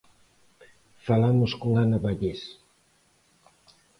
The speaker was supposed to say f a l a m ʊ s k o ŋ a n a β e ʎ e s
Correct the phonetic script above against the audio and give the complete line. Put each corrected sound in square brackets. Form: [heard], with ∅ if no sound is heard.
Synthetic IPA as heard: f a l a m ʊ s k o ŋ a n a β [a] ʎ e s